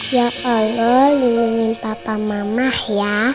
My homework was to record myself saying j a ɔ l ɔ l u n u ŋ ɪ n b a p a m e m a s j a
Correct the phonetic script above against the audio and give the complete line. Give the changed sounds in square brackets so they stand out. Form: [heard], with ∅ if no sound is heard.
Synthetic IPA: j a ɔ l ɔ l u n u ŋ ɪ n [p] a p a m [a] m a [h] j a

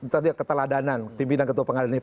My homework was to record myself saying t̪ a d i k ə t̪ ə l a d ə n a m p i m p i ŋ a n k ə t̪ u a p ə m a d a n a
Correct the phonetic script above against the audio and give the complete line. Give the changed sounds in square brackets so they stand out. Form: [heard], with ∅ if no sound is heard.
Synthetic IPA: t̪ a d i k ə t̪ ə l a d [a] n a [n] p i m p i [n] a n k ə t̪ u a p ə [ŋ] a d a n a

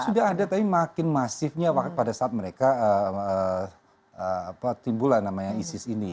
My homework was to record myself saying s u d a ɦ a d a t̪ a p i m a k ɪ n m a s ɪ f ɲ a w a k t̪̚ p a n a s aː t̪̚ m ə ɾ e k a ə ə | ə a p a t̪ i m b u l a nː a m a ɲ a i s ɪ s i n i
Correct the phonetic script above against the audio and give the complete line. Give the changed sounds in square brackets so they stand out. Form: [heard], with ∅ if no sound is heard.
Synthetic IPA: s u d a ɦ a d a t̪ a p i m a k ɪ n m a s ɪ f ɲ a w a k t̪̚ p a [d] a s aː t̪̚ m ə ɾ e k a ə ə | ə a p a t̪ i m b u l a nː a m a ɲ a i s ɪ s i n i

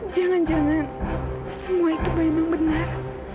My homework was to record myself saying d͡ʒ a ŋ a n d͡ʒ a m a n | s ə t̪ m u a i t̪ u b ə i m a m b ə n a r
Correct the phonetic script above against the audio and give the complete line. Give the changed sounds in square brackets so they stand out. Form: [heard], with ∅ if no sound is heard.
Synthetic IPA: d͡ʒ a ŋ a n d͡ʒ a [ŋ] a n | s ə [∅] m u a i t̪ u b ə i m a [ŋ] b ə n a r

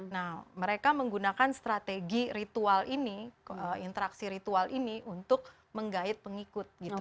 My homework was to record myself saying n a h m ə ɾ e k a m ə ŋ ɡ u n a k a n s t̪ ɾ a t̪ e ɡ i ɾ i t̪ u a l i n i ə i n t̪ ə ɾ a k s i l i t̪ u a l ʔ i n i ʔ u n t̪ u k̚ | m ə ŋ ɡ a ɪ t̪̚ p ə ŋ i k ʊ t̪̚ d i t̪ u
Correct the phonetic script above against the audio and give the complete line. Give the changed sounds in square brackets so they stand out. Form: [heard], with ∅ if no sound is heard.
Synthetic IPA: n a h m ə ɾ e k a m ə ŋ ɡ u n a k a n s t̪ ɾ a t̪ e ɡ i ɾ i t̪ u a l i n i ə i n t̪ ə ɾ a k s i [ɾ] i t̪ u a l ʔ i n i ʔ u n t̪ [ʊ] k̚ | m ə ŋ ɡ a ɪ t̪̚ p ə ŋ i k ʊ t̪̚ [ɡ] i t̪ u

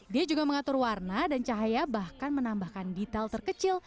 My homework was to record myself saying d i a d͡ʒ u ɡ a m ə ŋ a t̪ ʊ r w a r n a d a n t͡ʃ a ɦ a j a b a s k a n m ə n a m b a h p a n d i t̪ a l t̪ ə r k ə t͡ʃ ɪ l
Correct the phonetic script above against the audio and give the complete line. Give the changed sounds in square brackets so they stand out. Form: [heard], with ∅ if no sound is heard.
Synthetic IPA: d i a d͡ʒ u ɡ a m ə ŋ a t̪ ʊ r w a r n a d a n t͡ʃ a ɦ a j a b a [h] k a n m ə n a m b a h [k] a n d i t̪ a l t̪ ə r k ə t͡ʃ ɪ l

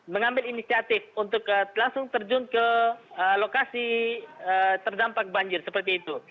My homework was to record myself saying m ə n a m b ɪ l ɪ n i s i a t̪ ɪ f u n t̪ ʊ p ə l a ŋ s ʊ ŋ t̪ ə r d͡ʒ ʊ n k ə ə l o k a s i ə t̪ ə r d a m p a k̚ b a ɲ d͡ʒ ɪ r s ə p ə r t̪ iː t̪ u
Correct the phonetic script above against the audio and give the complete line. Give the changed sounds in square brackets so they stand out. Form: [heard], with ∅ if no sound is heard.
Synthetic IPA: m ə [ŋ] a m b ɪ l [i] n i s i a t̪ ɪ f u n t̪ ʊ [k] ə l a ŋ s ʊ ŋ t̪ ə r d͡ʒ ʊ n k ə ə l o k a s i ə t̪ ə r d a m p a k̚ b a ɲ d͡ʒ ɪ r s ə p ə r t̪ iː t̪ u

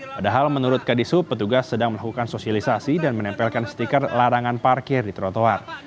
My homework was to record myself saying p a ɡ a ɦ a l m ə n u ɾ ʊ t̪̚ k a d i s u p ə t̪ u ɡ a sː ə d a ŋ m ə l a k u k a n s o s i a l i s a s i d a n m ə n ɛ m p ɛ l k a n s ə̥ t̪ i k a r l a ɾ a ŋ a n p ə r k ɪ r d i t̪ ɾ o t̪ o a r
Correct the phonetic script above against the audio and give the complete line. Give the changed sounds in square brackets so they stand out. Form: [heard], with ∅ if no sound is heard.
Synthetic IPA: p a [d] a ɦ a l m ə n u ɾ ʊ t̪̚ k a d i s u p ə t̪ u ɡ a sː ə d a ŋ m ə l a k u k a n s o s i a l i s a s i d a n m ə n ɛ m p ɛ l k a n s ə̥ t̪ i k a r l a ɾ a ŋ a n p [a] r k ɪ r d i t̪ ɾ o t̪ o a r

